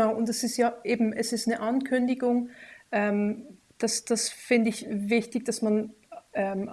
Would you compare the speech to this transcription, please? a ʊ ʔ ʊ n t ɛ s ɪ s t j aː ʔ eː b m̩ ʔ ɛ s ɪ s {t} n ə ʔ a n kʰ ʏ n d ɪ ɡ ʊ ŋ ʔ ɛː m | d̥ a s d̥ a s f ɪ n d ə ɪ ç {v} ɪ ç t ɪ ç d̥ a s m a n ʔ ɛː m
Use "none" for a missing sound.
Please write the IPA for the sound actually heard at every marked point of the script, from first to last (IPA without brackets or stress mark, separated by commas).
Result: t, v